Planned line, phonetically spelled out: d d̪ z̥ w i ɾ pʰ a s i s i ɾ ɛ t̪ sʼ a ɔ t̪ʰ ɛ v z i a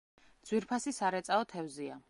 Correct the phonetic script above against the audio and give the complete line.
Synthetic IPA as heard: d d̪ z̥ w i ɾ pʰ a s i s a ɾ ɛ t̪ sʼ a ɔ t̪ʰ ɛ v z i a